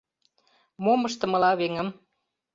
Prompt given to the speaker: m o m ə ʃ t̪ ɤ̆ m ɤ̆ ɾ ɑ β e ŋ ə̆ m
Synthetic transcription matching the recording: m o m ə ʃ t̪ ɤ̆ m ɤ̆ l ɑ β e ŋ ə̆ m

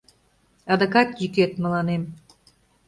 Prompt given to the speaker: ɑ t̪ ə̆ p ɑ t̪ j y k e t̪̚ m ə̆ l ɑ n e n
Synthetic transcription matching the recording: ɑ d̪ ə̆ k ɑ t̪ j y k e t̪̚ m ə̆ l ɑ n e m

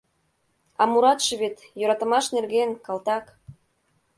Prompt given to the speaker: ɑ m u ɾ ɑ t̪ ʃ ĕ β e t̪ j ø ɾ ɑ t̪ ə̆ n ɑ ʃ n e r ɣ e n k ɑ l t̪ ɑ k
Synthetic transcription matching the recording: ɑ m u ɾ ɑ t̪ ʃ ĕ β e t̪ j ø ɾ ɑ t̪ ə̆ m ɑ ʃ n e r ɣ e n k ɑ l t̪ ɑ k

